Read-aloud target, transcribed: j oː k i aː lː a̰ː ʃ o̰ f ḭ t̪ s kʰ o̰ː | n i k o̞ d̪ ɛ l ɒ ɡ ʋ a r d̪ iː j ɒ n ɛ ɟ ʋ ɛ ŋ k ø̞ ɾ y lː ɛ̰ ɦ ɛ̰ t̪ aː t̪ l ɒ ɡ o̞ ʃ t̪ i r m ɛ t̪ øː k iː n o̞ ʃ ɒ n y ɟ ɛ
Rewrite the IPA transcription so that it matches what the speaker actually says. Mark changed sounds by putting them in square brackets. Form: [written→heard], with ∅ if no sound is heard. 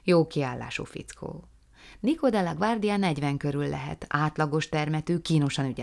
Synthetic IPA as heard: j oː k i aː lː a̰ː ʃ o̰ f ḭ t̪ s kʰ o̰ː | n i k o̞ d̪ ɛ l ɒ ɡ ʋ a r d̪ [iː→i] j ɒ n ɛ ɟ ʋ ɛ ŋ k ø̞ ɾ y lː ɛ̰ ɦ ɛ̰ t̪ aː t̪ l ɒ ɡ o̞ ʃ t̪ [i→ɛ] r m ɛ t̪ øː k iː n o̞ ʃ ɒ n y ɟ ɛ